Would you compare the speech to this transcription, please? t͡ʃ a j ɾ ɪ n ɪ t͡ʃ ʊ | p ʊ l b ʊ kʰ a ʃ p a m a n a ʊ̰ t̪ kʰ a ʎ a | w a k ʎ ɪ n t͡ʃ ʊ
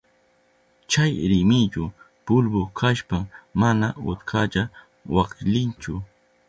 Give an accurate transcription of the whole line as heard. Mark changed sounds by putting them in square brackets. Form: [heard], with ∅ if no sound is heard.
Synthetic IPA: t͡ʃ a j ɾ ɪ [m] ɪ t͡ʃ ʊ | p ʊ l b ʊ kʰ a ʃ p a m a n a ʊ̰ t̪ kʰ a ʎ a | w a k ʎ ɪ n t͡ʃ ʊ